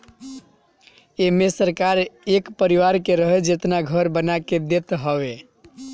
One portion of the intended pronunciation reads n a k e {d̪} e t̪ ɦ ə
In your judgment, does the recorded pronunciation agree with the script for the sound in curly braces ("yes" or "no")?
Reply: yes